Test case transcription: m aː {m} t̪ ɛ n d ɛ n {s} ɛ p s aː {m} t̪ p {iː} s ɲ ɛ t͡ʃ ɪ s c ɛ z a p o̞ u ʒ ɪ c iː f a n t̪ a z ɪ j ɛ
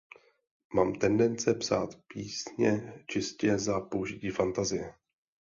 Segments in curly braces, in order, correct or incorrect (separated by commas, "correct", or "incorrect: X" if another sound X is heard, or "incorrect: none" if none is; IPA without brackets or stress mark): correct, incorrect: t͡s, incorrect: none, correct